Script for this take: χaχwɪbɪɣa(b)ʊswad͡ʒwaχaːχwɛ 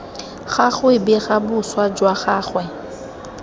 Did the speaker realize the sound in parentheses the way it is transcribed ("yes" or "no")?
yes